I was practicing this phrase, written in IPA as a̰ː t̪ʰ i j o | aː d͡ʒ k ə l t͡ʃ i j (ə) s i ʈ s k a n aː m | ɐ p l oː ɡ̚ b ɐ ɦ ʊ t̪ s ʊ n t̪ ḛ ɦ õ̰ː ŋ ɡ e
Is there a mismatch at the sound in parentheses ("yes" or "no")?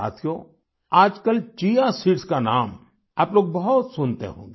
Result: yes